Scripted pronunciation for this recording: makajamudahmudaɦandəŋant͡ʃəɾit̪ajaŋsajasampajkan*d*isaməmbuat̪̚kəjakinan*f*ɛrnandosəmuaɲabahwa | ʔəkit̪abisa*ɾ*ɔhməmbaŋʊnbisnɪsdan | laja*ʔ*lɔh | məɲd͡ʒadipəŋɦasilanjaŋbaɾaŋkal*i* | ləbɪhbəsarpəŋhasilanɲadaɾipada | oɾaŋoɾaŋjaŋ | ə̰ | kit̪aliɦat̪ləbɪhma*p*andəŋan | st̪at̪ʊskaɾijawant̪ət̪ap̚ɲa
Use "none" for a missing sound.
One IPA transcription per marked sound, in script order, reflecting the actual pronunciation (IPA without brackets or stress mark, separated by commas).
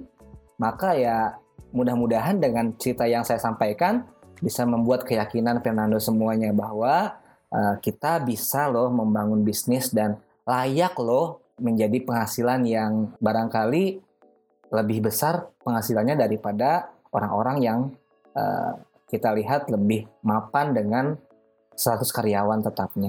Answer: b, f, l, k, i, p